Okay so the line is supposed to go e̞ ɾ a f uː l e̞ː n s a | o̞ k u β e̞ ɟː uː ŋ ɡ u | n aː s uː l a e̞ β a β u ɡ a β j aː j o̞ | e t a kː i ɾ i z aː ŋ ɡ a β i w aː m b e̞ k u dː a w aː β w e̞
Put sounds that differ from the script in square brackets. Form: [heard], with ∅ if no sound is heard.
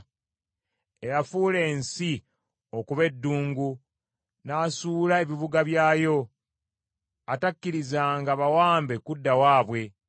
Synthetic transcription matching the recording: e̞ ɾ a f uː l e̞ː n s [i] | o̞ k u β e̞ [dː] uː ŋ ɡ u | n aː s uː l a e̞ β [i] β u ɡ a β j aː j o̞ | [a] t a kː i ɾ i z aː ŋ ɡ a β [a] w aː m b e̞ k u dː a w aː β w e̞

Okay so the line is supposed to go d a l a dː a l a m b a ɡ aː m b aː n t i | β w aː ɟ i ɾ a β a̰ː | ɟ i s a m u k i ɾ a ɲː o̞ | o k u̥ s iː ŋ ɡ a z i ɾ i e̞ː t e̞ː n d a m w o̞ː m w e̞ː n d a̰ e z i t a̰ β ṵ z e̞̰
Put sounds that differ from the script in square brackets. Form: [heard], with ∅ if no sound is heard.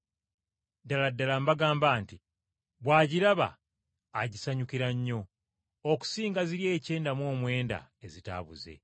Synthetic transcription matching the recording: d a l a dː a l a m b a ɡ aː m b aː n t i | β w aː ɟ i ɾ a β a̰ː | ɟ i s a [ɲ] u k i ɾ a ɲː o̞ | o k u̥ s iː ŋ ɡ a z i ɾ [j] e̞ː [c] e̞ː n d a m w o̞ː m w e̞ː n d a̰ e z i t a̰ β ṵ z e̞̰

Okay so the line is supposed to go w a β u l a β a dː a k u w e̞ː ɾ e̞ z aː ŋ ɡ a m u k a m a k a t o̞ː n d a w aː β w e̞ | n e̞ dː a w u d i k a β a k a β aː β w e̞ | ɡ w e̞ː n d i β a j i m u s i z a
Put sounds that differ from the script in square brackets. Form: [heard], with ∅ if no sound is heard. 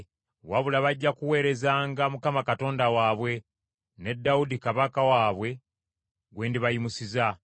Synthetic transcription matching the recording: w a β u l a β a [ɟː] a k u w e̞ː ɾ e̞ z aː ŋ ɡ a m u k a m a k a t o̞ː n d a w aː β w e̞ | n e̞ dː a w u d i k a β a k a [w] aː β w e̞ | ɡ w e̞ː n d i β a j i m u s i z a

